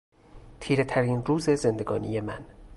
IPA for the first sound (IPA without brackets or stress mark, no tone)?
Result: t̪ʰ